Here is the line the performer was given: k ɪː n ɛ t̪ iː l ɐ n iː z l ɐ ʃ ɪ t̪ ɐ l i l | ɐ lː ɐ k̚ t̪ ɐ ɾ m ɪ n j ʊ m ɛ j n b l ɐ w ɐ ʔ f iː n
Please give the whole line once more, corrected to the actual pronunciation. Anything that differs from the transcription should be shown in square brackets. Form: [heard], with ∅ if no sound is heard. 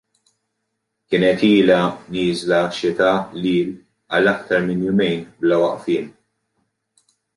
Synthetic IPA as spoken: k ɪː n ɛ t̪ iː l ɐ n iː z l ɐ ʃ ɪ t̪ ɐ l [iː] l | ɐ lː ɐ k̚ t̪ ɐ ɾ m ɪ n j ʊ m ɛ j n b l ɐ w ɐ ʔ f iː n